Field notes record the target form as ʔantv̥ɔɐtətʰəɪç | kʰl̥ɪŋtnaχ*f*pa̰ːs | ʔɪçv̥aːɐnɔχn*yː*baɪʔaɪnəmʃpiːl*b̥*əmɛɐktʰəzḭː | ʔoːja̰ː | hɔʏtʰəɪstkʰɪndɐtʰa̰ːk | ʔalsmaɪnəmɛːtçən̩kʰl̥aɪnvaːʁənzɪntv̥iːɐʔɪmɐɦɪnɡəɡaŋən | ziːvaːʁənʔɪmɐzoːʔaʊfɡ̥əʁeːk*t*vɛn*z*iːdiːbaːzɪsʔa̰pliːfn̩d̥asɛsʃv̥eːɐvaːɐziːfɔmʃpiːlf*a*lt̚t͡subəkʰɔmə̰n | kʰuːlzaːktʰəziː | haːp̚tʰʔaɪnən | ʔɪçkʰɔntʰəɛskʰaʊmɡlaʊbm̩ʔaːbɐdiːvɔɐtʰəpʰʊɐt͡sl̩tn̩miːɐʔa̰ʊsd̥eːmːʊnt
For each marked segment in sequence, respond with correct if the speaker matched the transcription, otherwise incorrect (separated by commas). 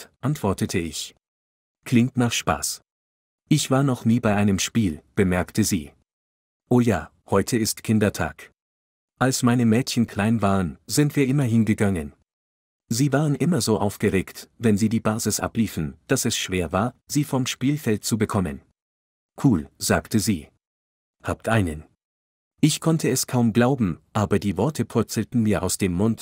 incorrect, incorrect, correct, correct, correct, incorrect